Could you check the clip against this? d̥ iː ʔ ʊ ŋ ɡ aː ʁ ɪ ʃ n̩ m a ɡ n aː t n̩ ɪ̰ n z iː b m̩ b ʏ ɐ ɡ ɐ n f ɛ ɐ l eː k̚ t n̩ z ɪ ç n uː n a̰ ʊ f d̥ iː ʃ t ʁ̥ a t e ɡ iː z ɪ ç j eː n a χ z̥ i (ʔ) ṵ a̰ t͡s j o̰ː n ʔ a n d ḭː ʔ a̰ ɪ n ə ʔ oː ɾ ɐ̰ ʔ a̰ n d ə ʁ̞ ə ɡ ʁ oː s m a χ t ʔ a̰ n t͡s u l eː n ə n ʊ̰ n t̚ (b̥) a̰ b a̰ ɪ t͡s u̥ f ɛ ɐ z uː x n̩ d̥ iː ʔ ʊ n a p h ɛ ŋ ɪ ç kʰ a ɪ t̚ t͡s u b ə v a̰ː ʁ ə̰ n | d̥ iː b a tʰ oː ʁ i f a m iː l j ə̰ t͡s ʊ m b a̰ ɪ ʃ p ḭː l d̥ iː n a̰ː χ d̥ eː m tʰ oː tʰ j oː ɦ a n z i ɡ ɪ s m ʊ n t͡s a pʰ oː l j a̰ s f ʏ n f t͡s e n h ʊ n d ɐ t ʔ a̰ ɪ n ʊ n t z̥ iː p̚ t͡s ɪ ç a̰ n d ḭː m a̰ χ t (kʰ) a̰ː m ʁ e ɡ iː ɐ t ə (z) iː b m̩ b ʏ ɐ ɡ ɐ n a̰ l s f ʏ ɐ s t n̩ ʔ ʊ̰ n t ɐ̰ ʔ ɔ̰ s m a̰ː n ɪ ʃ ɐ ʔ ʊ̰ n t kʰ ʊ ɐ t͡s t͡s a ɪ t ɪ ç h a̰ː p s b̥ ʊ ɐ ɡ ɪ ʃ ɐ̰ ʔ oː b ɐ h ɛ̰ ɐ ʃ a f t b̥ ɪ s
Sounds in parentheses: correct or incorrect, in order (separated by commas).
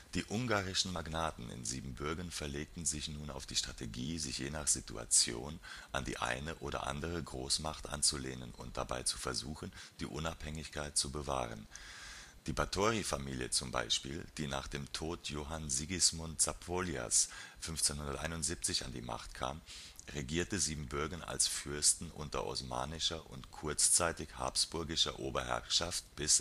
incorrect, incorrect, correct, correct